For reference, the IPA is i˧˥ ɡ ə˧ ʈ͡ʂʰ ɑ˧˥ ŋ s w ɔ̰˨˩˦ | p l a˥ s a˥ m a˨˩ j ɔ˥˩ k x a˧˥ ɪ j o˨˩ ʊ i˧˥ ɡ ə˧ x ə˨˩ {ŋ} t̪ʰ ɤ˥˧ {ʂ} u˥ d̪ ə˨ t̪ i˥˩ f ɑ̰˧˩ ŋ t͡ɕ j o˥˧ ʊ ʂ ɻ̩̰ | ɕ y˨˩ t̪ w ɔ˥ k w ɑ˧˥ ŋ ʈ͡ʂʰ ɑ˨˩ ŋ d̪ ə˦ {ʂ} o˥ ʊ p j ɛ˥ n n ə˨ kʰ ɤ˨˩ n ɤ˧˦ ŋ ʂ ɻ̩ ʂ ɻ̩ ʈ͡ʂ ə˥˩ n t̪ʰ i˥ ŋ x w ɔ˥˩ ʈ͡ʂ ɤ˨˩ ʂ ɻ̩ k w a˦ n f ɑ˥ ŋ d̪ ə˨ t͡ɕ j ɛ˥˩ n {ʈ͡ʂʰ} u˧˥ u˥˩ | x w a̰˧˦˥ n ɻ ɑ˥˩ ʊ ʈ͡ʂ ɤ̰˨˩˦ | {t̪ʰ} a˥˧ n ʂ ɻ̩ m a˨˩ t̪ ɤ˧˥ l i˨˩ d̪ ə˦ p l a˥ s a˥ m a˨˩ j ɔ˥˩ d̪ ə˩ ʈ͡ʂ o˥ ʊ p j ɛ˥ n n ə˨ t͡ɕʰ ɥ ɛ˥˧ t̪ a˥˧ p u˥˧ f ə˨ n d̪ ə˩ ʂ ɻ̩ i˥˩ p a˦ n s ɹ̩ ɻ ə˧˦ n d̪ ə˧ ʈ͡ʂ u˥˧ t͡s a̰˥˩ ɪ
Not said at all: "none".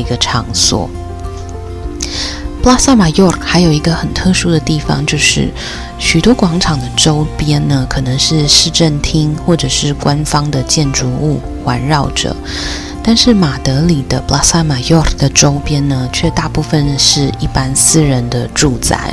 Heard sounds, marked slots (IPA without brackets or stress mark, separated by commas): n, ʂ, ʈ͡ʂ, ʈ͡ʂ, t̪